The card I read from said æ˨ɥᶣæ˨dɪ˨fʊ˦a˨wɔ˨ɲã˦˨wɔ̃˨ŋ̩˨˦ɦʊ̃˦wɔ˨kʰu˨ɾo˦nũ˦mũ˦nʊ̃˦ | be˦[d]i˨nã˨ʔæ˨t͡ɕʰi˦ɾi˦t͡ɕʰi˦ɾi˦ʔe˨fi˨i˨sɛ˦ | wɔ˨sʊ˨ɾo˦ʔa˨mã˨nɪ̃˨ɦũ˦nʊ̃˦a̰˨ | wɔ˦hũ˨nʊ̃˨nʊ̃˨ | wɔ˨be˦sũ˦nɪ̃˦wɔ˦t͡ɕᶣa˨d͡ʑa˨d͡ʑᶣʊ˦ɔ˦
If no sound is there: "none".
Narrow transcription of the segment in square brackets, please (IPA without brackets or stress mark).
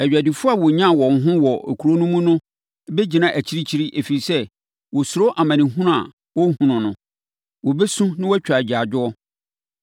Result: d͡ʑ